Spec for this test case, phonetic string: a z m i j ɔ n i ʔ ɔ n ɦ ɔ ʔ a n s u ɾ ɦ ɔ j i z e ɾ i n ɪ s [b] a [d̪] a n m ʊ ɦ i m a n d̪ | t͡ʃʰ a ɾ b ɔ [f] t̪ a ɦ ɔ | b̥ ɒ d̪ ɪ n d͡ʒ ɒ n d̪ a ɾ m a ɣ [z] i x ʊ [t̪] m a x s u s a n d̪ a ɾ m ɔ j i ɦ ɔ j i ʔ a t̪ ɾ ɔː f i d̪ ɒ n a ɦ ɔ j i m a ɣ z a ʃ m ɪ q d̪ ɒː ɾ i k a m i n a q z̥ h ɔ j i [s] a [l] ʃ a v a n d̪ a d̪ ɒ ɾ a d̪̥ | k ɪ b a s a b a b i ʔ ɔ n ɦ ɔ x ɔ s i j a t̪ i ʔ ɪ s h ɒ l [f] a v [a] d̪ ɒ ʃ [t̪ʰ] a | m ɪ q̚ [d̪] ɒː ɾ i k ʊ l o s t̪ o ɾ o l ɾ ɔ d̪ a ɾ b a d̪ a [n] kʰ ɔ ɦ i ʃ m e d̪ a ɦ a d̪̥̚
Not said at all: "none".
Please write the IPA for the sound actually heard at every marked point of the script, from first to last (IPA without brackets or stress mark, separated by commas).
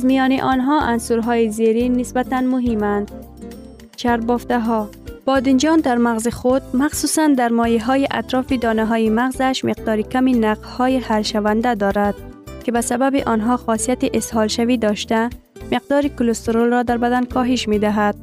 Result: b, t̪, f, z, d̪, h, l, ʃ, i, t̪, d̪, n